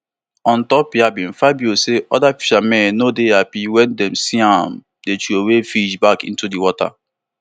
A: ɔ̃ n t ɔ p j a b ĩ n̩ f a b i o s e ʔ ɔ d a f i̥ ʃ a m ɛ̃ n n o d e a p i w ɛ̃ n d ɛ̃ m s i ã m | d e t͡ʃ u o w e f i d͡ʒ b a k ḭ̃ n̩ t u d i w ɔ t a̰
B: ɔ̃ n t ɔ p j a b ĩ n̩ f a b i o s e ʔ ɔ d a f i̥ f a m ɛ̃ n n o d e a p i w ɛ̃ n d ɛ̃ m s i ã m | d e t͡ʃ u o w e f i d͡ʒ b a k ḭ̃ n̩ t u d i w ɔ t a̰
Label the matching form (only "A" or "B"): A